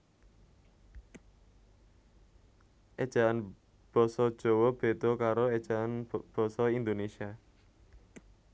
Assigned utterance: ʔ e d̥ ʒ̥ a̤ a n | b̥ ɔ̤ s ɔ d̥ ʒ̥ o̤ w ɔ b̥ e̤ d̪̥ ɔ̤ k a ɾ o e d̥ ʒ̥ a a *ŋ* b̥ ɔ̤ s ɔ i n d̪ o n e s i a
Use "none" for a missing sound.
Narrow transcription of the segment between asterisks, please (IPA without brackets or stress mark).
n